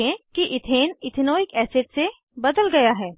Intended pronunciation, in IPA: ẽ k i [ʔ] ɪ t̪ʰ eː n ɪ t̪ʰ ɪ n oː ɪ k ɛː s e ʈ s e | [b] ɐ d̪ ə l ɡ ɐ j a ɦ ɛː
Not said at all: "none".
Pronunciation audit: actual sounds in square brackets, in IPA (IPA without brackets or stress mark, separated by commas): ʔ, b